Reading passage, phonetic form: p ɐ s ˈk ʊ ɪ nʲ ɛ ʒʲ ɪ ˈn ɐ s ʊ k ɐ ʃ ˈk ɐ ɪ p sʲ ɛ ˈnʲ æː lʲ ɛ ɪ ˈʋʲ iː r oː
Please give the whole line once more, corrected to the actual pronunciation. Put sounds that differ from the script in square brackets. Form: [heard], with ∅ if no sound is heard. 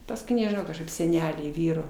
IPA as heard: p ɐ s ˈk ʊ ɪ nʲ ɛ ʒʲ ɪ ˈn ɐ [∅] ʊ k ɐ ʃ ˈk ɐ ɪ p sʲ ɛ ˈnʲ æː lʲ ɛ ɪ ˈʋʲ iː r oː